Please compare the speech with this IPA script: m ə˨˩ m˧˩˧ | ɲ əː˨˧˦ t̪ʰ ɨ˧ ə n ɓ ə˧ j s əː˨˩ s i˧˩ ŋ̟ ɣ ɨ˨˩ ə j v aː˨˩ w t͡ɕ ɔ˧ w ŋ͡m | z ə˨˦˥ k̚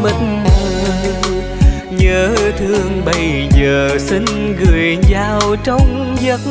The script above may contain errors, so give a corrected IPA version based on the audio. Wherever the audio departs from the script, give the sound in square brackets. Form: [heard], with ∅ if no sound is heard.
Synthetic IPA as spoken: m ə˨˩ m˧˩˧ | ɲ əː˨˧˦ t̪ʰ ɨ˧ ə [ŋ] ɓ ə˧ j [z] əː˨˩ s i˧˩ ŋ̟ ɣ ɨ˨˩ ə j [z] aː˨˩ w t͡ɕ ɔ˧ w ŋ͡m | z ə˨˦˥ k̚